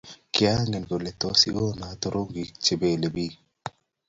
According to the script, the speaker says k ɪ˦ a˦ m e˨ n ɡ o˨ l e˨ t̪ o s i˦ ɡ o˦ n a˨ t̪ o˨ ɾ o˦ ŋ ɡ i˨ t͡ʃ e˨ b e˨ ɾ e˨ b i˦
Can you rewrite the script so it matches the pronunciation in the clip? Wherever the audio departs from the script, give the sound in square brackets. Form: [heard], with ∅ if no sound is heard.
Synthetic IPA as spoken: k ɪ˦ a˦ [ŋ] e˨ n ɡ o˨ l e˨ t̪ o s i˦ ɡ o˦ n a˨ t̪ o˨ ɾ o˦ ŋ ɡ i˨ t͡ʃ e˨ b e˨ [l] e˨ b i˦